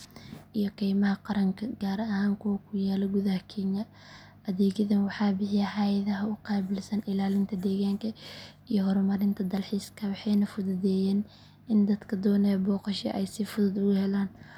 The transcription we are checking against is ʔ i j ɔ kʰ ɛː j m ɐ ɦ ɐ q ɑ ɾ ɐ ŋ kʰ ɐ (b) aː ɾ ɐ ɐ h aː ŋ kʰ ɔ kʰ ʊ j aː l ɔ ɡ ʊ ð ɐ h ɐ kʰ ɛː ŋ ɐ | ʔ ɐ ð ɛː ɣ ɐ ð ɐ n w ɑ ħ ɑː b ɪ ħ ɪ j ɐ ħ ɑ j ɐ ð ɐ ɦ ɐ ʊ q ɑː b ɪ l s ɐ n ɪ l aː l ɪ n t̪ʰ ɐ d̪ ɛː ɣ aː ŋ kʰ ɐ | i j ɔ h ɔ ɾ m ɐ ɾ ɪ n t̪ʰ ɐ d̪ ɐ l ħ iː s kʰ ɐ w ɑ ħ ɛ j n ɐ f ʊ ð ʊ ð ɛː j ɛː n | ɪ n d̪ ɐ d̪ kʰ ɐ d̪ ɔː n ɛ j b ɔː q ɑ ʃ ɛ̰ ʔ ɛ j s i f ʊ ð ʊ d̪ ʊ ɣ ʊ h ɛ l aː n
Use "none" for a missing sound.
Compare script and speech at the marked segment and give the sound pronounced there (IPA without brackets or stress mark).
ɡ